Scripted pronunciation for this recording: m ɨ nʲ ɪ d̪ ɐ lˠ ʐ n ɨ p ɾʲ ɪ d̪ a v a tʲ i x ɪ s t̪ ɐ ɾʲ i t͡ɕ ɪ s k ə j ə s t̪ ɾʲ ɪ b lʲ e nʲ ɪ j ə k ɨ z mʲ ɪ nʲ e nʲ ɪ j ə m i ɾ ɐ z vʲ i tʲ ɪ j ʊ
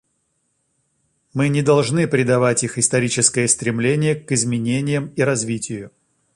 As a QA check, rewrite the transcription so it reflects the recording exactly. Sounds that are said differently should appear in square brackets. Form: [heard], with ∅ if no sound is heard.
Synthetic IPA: m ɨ nʲ ɪ d̪ ɐ lˠ ʐ n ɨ p ɾʲ ɪ d̪ [ɐ] v a tʲ i x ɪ s t̪ ɐ ɾʲ i t͡ɕ ɪ s k ə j ə s t̪ ɾʲ ɪ [m] lʲ e nʲ ɪ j ə k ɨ z mʲ ɪ nʲ e nʲ ɪ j ə m i ɾ ɐ z vʲ i tʲ ɪ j ʊ